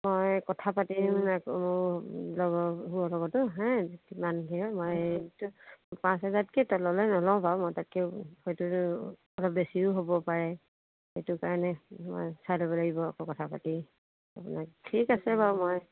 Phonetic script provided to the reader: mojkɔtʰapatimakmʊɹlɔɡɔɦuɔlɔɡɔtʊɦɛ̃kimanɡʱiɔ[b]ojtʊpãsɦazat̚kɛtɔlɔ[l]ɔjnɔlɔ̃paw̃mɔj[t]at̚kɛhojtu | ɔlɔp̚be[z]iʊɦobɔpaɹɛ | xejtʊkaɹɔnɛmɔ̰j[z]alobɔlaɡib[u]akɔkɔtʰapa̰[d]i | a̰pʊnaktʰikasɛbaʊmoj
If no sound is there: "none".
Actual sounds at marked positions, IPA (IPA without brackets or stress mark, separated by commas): m, l, t, s, s, ɔ, t